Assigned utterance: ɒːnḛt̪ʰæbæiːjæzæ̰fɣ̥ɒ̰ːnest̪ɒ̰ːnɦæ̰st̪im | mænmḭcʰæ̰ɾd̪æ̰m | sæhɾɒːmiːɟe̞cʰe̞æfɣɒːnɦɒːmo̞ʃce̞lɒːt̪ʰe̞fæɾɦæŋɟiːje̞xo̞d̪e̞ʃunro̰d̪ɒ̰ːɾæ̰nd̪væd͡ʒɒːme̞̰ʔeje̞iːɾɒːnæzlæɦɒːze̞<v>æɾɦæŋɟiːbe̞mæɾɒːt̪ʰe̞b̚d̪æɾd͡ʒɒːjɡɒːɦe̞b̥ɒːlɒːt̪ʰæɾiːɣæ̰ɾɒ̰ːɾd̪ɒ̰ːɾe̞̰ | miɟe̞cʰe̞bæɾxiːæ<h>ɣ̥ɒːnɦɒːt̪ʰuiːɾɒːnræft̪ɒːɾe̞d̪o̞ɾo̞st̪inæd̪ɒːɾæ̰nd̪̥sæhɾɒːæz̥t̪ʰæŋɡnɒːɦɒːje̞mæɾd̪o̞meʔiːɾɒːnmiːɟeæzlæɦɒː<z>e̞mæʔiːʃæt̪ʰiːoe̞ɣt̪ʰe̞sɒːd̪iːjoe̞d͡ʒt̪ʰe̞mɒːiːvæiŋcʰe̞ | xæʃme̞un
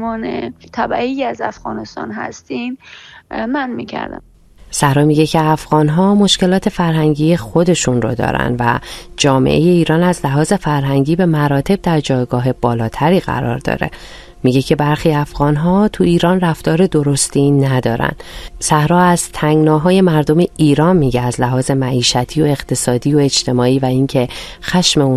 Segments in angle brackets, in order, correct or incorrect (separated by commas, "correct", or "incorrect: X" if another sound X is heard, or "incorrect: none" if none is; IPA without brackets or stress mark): incorrect: f, incorrect: f, correct